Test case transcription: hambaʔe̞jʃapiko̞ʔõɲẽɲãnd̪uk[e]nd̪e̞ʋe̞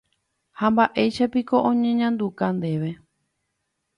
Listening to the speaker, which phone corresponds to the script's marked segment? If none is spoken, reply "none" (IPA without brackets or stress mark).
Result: a